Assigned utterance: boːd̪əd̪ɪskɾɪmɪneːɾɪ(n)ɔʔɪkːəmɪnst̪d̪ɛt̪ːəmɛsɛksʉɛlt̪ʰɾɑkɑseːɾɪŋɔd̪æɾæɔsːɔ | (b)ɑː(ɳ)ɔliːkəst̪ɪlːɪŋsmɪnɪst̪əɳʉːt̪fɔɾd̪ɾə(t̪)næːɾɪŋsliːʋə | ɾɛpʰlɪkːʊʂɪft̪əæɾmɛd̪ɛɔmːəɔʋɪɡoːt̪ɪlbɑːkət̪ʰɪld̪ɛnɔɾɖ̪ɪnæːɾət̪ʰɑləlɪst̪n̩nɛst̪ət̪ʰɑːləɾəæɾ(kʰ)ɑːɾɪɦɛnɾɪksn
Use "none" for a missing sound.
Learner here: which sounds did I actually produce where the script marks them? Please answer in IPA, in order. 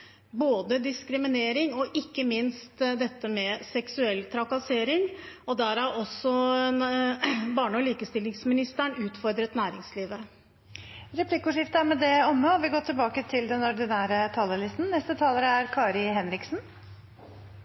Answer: ŋ, b, ɳ, t̪, kʰ

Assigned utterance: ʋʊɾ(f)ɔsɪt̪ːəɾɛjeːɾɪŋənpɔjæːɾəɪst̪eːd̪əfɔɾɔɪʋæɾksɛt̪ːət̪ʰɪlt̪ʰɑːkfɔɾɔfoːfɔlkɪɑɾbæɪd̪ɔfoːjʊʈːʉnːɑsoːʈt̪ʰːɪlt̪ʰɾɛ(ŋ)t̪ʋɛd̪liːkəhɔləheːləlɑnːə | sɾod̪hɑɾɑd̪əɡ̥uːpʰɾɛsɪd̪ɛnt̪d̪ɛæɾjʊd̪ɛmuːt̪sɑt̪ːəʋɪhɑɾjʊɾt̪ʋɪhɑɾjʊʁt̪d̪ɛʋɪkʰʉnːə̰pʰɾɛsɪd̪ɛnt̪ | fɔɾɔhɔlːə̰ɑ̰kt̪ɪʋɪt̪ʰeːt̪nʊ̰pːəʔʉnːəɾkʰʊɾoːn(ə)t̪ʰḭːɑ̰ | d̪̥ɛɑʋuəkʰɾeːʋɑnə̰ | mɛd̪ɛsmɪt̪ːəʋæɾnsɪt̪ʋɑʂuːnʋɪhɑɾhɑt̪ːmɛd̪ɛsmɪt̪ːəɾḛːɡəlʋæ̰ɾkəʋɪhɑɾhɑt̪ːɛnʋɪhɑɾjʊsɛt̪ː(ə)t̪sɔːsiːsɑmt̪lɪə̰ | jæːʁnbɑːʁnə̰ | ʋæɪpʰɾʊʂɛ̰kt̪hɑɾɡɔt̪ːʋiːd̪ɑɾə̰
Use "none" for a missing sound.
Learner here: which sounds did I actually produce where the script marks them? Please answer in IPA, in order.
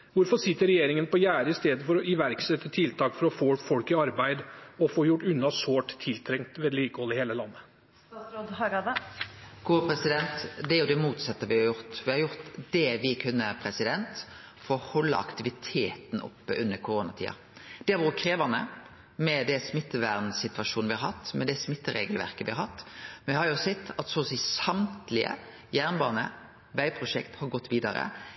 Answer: f, ŋ, ɑ, ɑ

